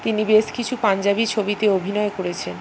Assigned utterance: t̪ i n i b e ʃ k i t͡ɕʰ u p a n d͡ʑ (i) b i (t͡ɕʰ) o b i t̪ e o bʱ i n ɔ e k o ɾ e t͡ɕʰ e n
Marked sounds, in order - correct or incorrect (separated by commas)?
incorrect, correct